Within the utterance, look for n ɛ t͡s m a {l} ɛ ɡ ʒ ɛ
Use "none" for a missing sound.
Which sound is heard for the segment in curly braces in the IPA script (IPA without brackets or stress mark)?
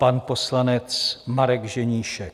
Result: ɾ